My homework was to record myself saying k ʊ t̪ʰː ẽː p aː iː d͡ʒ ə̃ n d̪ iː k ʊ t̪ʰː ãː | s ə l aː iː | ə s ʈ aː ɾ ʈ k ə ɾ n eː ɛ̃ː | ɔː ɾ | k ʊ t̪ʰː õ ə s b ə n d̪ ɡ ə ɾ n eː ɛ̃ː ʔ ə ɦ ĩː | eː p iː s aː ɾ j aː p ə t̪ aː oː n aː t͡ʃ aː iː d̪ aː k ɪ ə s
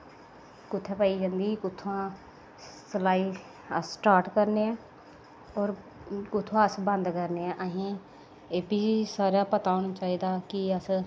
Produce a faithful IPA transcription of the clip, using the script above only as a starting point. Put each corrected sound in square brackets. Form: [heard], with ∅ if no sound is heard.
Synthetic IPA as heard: k ʊ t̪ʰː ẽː p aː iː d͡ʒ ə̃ n d̪ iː k ʊ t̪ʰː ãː | s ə l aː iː | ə s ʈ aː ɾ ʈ k ə ɾ n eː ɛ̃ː | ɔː ɾ | k ʊ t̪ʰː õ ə s b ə n d̪ [k] ə ɾ n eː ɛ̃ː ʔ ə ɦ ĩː | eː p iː s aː ɾ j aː p ə t̪ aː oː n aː t͡ʃ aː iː d̪ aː k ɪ ə s